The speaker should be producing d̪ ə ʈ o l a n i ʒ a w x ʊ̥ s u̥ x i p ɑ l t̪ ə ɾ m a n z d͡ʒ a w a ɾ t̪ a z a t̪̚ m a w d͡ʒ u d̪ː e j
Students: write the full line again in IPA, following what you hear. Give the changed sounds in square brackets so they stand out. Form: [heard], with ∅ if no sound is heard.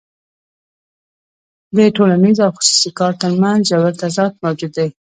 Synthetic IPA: d̪ ə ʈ o l a n i [z] a w x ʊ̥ s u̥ [s] i [k] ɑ [ɾ] t̪ ə ɾ m a n z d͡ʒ a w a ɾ t̪ a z [ɑ] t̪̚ m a w d͡ʒ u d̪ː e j